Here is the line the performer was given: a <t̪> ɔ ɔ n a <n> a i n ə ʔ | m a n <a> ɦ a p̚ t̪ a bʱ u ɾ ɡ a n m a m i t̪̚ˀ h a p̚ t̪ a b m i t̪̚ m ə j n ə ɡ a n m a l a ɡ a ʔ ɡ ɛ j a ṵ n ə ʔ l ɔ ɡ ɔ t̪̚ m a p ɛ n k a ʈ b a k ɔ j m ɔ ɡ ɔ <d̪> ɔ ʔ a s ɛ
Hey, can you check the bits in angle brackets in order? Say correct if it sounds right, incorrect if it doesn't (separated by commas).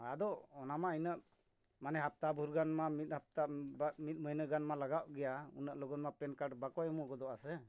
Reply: incorrect, incorrect, incorrect, correct